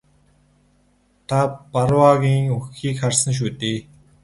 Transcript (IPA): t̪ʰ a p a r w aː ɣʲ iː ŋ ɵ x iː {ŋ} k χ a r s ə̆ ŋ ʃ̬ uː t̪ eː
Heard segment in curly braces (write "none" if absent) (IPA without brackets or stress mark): none